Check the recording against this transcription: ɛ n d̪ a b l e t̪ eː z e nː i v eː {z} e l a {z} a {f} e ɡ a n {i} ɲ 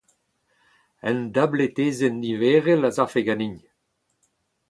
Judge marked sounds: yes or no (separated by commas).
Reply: no, yes, yes, yes